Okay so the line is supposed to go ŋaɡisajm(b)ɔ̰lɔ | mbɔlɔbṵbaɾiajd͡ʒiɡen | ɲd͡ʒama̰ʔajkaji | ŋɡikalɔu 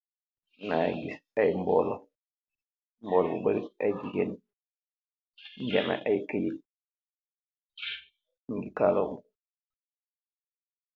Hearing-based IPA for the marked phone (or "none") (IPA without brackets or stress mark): b